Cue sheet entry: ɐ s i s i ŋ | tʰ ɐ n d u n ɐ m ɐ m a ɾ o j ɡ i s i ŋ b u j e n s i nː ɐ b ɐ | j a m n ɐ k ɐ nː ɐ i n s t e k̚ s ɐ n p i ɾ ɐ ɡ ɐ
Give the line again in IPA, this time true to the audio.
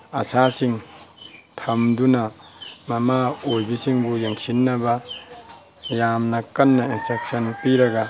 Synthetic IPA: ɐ s a s i ŋ | tʰ ɐ m d u n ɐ m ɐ m a o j b i s i ŋ b u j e ŋ s i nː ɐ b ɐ | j a m n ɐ k ɐ nː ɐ i n s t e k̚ s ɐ n p i ɾ ɐ ɡ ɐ